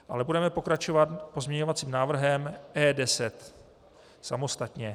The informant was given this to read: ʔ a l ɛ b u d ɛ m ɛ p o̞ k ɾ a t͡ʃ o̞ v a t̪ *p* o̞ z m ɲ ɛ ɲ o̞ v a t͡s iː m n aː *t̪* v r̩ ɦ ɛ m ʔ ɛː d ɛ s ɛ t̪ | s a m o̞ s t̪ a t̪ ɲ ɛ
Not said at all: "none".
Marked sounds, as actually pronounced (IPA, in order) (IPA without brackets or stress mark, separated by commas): p, none